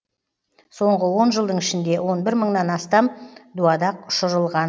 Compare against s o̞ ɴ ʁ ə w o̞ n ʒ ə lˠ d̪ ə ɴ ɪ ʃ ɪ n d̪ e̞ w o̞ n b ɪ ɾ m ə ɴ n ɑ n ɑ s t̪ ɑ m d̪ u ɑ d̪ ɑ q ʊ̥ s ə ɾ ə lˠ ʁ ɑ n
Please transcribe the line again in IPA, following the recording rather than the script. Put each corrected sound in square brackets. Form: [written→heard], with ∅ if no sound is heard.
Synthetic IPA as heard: s o̞ ɴ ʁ ə w o̞ n ʒ ə lˠ d̪ ə ɴ ɪ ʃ ɪ n d̪ e̞ w o̞ n b ɪ ɾ m ə ɴ n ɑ n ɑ s t̪ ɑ m d̪ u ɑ d̪ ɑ q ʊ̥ [s→ʃ] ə ɾ ə lˠ ʁ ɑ n